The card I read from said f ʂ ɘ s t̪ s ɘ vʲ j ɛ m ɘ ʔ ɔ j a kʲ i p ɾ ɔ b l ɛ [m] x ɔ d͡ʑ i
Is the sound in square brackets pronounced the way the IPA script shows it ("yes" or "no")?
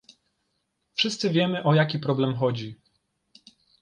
yes